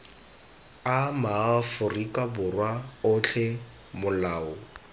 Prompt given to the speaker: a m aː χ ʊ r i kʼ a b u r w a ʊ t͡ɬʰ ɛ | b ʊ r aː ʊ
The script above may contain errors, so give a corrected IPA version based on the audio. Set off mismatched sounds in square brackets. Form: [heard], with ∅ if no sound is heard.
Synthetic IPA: a m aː [f] ʊ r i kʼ a b [ʊ] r w a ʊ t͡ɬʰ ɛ | [m] ʊ [l] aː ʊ

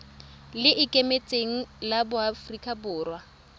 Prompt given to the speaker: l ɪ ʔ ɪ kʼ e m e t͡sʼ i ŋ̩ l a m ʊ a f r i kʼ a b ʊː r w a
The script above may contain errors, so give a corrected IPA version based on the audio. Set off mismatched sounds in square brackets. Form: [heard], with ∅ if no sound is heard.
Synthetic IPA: l ɪ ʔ ɪ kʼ e m e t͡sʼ [e] ŋ̩ l a [b] ʊ a f r i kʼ a b ʊː r w a

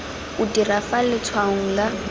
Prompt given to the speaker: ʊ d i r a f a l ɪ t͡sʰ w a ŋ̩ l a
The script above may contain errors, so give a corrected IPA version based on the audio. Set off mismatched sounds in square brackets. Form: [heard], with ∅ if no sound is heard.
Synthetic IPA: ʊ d i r a f a l ɪ t͡sʰ w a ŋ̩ l a

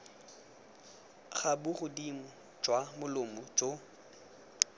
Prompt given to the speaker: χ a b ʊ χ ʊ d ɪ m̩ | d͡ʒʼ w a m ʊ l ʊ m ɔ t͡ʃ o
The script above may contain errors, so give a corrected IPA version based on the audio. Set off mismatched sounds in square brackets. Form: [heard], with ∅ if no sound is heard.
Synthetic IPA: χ a b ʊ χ ʊ d [i] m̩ | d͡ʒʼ w a m ʊ l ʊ m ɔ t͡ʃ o

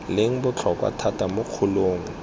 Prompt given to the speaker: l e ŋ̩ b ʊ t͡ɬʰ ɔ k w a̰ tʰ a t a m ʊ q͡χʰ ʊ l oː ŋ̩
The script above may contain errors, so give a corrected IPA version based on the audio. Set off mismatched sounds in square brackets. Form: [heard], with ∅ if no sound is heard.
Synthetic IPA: l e ŋ̩ b ʊ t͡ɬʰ ɔ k w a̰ tʰ a t a m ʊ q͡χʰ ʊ l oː ŋ̩

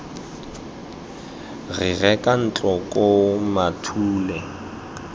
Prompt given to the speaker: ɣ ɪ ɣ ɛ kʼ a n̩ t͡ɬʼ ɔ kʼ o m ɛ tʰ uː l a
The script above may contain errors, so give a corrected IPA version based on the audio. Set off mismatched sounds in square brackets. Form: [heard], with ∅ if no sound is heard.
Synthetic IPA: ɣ ɪ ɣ ɛ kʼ a n̩ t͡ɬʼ ɔ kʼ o m [a] tʰ uː l [ɛ]

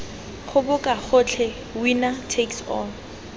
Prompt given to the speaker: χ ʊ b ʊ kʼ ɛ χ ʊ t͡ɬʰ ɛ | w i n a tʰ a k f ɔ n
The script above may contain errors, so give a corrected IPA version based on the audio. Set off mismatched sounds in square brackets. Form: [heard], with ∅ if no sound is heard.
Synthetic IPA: χ ʊ b ʊ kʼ [a] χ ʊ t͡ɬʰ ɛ | w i n a tʰ [e] k [s] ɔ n

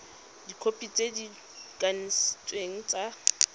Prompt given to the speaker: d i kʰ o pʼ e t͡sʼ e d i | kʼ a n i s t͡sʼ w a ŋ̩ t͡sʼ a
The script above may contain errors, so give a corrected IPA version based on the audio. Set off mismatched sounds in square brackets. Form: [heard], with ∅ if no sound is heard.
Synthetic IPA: d i kʰ o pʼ [i] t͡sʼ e d i | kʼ a n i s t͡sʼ w [e] ŋ̩ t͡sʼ a

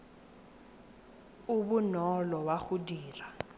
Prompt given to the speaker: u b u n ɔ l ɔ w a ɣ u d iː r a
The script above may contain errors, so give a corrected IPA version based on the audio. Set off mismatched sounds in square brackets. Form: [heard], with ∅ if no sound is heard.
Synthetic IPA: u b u n ɔ l ɔ w a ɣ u d iː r a

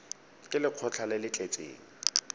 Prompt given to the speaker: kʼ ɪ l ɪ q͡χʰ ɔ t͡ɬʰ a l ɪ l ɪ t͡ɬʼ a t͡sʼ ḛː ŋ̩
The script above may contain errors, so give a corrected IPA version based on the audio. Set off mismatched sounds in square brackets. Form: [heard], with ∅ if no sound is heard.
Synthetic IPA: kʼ ɪ l ɪ q͡χʰ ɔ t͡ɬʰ a l ɪ l ɪ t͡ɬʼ [e] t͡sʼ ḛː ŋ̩

